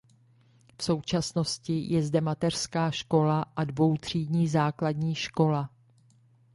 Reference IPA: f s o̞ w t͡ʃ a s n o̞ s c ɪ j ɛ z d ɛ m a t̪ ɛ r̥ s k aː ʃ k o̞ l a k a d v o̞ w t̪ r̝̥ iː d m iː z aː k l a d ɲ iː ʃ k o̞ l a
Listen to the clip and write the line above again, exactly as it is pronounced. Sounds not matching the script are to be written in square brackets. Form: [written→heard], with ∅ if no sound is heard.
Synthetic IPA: f s o̞ w t͡ʃ a s n o̞ s c ɪ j ɛ z d ɛ m a t̪ ɛ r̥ s k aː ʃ k o̞ l a [k→ʔ] a d v o̞ w t̪ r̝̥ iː d [m→ɲ] iː z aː k l a d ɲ iː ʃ k o̞ l a